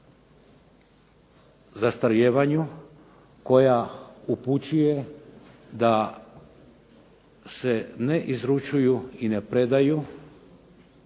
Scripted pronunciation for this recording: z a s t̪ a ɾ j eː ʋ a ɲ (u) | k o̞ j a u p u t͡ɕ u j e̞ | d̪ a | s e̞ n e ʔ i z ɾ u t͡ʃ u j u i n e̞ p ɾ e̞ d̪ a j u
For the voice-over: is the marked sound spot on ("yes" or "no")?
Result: yes